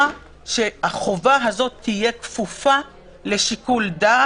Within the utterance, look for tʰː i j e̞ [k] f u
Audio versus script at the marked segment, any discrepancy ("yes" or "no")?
no